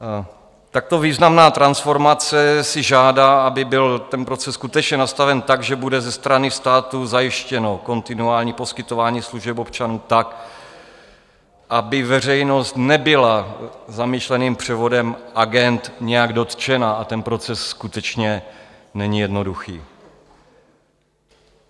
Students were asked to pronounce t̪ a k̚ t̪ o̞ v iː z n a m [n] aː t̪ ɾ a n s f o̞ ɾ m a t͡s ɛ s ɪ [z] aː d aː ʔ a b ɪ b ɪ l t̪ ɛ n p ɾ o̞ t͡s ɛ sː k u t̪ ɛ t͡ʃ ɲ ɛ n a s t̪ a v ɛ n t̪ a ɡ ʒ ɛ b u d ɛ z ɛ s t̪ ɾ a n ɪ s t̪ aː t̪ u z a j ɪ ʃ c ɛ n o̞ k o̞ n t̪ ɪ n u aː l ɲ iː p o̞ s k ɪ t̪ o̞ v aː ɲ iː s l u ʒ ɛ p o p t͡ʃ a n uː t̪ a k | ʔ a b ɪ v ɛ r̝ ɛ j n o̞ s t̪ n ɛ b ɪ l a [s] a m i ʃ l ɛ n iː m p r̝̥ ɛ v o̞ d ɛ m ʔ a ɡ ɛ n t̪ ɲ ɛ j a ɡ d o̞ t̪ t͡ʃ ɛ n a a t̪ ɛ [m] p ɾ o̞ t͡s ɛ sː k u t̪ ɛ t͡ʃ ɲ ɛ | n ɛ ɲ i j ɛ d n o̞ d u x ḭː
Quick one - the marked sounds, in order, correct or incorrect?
correct, incorrect, incorrect, incorrect

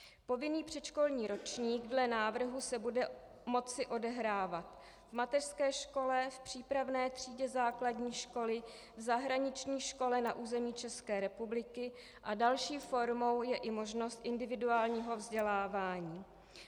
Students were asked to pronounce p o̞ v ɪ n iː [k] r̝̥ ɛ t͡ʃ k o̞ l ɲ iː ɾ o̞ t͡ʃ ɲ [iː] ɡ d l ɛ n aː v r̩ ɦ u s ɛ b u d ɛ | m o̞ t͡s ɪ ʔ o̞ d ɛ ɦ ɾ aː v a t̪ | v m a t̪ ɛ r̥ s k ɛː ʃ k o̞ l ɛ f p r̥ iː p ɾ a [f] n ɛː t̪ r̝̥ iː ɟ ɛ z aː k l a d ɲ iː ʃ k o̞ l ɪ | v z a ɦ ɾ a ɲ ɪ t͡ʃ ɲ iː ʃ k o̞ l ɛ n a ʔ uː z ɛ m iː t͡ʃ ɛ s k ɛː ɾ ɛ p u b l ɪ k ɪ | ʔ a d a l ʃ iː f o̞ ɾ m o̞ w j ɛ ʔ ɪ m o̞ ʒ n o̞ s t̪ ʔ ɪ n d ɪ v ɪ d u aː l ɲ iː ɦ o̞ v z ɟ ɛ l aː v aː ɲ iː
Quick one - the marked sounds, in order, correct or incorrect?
incorrect, correct, incorrect

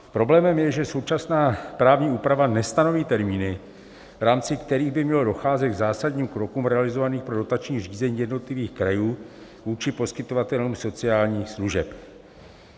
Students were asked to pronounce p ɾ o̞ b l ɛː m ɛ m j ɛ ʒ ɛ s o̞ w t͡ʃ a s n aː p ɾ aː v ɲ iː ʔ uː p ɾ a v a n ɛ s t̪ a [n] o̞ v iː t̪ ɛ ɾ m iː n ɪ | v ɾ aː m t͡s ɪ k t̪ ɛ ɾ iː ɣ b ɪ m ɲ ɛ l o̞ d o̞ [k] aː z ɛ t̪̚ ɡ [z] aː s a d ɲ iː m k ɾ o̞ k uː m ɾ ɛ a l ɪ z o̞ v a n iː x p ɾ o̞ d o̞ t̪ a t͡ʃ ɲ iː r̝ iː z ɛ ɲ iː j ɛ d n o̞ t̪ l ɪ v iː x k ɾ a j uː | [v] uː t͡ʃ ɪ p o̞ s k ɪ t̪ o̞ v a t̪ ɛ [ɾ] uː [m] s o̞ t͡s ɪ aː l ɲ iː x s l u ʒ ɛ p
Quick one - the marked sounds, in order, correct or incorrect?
correct, incorrect, correct, correct, incorrect, correct

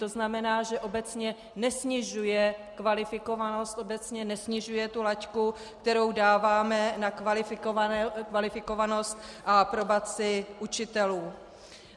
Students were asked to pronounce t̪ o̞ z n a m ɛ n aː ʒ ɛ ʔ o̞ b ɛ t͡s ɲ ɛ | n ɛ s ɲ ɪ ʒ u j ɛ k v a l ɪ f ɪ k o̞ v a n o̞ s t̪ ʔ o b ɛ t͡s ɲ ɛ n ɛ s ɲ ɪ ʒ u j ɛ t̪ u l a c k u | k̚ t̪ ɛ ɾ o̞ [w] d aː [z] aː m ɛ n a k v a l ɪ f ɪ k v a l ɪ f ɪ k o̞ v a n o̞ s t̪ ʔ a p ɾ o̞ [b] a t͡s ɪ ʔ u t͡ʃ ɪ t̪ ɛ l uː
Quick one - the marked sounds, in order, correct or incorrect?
correct, incorrect, correct

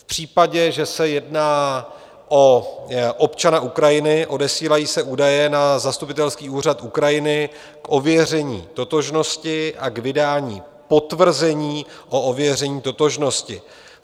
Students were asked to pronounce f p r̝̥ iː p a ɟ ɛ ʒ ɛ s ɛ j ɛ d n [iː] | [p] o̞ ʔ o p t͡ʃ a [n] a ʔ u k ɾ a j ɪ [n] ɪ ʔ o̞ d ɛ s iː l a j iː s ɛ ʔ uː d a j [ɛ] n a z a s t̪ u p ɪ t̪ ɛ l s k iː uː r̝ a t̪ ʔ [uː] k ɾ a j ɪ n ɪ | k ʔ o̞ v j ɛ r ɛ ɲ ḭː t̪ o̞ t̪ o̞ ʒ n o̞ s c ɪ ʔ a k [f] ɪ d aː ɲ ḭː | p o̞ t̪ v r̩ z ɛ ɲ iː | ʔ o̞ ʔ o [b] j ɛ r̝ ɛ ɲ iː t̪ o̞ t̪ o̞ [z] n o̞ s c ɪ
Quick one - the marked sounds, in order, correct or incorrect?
incorrect, incorrect, correct, correct, correct, incorrect, incorrect, incorrect, incorrect

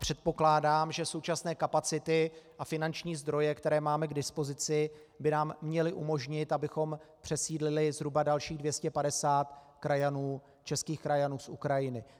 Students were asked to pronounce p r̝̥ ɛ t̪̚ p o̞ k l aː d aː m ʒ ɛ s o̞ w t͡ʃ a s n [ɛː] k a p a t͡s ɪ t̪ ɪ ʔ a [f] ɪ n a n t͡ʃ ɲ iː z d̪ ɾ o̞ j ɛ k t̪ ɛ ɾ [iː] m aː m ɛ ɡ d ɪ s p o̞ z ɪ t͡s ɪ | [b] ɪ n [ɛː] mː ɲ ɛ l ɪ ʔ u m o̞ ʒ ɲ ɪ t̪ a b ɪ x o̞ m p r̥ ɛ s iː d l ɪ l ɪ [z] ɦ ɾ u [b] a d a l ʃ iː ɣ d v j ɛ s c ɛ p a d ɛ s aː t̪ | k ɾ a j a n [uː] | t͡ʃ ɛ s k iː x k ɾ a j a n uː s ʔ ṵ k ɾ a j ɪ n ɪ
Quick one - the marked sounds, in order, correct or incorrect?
correct, correct, incorrect, correct, incorrect, correct, correct, correct

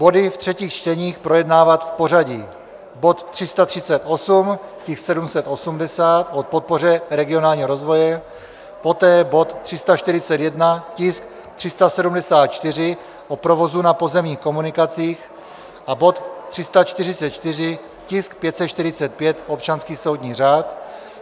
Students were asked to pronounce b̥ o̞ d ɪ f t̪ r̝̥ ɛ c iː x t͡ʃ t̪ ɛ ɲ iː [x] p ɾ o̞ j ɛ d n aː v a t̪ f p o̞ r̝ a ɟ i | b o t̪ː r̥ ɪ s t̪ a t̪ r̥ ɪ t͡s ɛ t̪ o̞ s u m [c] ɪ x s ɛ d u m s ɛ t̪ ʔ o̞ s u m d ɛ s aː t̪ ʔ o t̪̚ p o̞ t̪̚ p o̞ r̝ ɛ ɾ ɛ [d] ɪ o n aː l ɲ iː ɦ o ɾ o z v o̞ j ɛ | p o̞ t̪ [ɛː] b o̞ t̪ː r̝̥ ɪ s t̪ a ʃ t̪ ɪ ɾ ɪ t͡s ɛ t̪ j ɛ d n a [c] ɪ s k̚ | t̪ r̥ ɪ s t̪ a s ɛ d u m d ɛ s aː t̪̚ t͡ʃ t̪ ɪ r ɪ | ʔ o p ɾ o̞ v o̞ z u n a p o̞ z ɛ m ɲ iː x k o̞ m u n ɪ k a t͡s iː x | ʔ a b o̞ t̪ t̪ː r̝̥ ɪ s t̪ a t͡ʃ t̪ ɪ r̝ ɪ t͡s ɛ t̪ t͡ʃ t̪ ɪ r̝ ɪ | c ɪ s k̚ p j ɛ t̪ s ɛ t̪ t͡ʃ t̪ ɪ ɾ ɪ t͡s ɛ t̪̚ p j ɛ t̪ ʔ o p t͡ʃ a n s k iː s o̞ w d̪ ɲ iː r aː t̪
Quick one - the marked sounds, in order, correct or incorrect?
correct, correct, incorrect, correct, correct

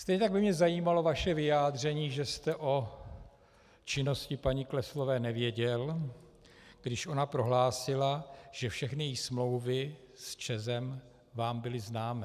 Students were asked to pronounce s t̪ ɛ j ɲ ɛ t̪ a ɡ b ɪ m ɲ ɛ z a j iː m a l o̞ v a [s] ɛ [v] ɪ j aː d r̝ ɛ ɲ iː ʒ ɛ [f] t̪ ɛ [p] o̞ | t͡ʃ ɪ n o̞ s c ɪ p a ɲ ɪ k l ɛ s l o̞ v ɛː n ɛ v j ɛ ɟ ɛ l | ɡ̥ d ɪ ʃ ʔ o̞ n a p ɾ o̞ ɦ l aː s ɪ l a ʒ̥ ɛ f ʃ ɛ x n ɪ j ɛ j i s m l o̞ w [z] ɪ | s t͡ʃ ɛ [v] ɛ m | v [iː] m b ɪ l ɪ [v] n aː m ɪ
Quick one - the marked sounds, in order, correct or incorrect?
incorrect, correct, incorrect, incorrect, incorrect, incorrect, incorrect, incorrect

